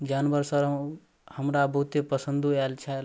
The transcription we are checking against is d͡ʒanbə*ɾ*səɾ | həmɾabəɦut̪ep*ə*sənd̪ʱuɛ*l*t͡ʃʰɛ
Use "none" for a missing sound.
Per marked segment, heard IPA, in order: ɾ, ə, l

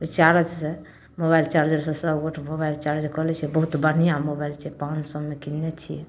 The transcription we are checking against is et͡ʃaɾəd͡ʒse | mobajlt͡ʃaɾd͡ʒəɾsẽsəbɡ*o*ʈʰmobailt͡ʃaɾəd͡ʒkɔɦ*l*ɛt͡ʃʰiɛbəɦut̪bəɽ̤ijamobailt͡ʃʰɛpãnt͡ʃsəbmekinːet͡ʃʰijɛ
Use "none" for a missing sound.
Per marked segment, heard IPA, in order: o, l

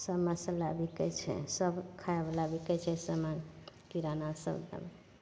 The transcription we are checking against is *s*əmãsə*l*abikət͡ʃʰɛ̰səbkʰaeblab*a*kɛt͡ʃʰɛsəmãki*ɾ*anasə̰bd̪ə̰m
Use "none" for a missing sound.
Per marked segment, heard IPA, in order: s, l, i, ɾ

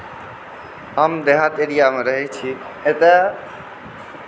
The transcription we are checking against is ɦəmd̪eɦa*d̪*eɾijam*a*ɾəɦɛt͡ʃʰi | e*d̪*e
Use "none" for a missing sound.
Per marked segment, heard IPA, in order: t̪, e, t̪

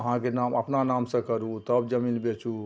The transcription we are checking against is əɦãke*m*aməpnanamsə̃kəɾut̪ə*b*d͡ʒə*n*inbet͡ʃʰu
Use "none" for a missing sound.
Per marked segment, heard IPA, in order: n, b, m

